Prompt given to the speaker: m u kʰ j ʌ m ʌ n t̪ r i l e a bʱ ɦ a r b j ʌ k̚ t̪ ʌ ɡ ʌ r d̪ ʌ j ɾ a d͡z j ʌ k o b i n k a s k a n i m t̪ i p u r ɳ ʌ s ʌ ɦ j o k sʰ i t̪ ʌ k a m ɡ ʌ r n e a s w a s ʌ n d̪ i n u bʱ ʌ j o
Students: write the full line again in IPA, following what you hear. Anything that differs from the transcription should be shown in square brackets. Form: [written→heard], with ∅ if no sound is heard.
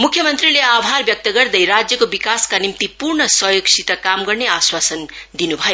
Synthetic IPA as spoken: m u kʰ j ʌ m ʌ n t̪ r i l e a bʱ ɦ a r b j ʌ k̚ t̪ ʌ ɡ ʌ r d̪ ʌ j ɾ a d͡z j ʌ k o b i [n→∅] k a s k a n i m t̪ i p u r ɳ ʌ s ʌ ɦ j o k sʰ i t̪ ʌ k a m ɡ ʌ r n e a s w a s ʌ n d̪ i n u bʱ ʌ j o

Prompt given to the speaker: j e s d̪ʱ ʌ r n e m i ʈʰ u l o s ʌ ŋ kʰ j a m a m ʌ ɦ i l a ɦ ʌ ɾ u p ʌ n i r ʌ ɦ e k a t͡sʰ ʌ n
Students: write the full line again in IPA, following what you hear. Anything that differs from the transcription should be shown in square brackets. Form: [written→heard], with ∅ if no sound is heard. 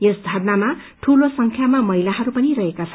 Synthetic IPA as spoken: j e s d̪ʱ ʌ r n [e→a] m [i→a] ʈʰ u l o s ʌ ŋ kʰ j a m a m ʌ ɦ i l a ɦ ʌ ɾ u p ʌ n i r ʌ ɦ e k a t͡sʰ ʌ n

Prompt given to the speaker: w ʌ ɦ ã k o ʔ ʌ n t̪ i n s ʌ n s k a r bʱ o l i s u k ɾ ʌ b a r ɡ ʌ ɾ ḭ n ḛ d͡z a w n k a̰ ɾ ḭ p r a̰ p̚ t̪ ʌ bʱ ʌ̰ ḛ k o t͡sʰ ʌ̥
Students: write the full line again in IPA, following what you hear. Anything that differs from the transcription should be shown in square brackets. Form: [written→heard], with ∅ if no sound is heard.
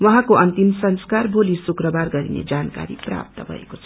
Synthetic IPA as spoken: w ʌ ɦ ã k o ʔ ʌ n t̪ i [n→m] s ʌ n s k a r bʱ o l i s u k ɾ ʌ b a r ɡ ʌ ɾ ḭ n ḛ d͡z a [w→∅] n k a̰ ɾ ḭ p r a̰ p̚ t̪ ʌ bʱ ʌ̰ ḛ k o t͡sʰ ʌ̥

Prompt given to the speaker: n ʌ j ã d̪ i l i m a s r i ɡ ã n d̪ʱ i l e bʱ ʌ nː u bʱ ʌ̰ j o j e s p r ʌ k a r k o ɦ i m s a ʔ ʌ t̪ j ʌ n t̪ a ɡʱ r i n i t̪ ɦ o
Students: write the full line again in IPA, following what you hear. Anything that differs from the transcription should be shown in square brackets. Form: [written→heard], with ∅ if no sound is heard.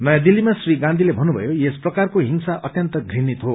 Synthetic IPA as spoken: n ʌ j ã d̪ i l i m a s r i ɡ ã n d̪ʱ i l e bʱ ʌ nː u bʱ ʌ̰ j o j e s p r ʌ k a r k o ɦ i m s a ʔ ʌ t̪ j ʌ n t̪ [a→ʌ] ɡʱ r i n i t̪ ɦ o

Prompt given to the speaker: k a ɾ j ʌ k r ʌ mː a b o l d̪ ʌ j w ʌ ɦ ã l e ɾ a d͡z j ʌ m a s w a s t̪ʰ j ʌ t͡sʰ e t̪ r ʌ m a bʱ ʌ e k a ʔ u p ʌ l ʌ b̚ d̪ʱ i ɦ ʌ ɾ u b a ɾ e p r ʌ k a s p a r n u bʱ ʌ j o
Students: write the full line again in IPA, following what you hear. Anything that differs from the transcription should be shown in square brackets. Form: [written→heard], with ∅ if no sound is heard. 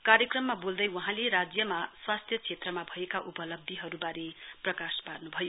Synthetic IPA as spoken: k a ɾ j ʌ k r ʌ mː a b o l d̪ ʌ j w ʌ ɦ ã l e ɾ a d͡z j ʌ m a s w a s t̪ʰ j ʌ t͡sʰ e t̪ r ʌ m a bʱ ʌ e k a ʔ u p ʌ l ʌ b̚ d̪ʱ i ɦ ʌ ɾ u b a ɾ e p r ʌ k a s p a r n u bʱ ʌ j o

